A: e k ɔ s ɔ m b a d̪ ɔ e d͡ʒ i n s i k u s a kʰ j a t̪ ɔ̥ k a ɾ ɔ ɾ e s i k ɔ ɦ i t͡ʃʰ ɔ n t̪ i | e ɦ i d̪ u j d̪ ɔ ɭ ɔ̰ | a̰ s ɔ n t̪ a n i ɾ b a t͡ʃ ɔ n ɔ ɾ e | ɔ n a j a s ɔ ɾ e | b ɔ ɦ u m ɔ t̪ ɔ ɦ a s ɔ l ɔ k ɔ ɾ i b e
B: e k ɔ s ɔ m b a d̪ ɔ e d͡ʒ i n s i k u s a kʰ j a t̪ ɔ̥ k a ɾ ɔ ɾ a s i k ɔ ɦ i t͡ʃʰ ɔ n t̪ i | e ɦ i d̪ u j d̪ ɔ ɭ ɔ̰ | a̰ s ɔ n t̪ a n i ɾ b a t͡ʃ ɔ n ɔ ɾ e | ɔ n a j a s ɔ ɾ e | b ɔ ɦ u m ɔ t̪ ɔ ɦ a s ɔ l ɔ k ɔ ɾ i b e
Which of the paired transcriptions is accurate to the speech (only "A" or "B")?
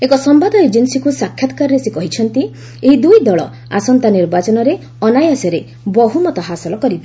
A